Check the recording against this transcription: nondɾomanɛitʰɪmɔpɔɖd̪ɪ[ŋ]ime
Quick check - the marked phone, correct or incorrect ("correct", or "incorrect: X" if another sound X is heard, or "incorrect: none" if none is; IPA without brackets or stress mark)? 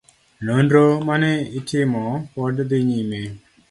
incorrect: ɲ